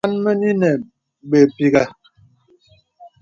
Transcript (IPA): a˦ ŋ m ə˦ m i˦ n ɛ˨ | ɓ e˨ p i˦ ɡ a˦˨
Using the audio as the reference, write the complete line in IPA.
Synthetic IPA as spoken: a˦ n m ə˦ n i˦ n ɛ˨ | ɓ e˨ p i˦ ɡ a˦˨